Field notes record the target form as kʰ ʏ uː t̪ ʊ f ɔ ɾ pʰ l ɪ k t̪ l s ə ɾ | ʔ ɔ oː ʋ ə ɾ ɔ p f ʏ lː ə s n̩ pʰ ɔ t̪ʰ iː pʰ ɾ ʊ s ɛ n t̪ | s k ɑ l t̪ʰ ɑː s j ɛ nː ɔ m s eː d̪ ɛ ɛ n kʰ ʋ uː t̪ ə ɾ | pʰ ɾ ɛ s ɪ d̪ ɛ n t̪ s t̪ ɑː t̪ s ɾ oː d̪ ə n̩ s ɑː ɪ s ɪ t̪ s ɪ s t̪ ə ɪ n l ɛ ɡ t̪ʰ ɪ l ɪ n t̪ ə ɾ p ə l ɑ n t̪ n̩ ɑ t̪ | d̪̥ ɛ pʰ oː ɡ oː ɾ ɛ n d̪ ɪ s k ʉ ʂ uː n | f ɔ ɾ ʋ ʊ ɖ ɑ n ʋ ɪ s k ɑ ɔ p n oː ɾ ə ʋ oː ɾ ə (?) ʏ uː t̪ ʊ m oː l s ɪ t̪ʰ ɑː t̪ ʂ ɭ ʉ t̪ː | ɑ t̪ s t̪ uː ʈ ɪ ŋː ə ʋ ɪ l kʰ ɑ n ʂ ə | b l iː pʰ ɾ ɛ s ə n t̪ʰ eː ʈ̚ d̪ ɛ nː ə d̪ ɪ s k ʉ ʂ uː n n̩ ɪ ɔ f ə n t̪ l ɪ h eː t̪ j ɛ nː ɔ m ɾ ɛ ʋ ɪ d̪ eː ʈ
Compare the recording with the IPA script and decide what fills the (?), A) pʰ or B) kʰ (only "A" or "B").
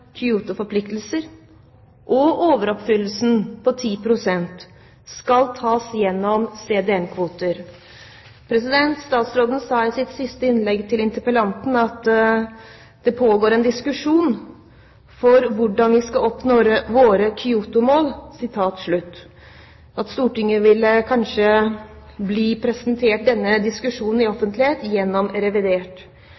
B